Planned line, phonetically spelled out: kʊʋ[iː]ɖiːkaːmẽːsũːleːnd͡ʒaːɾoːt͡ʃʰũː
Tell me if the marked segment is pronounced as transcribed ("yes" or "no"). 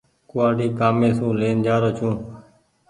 no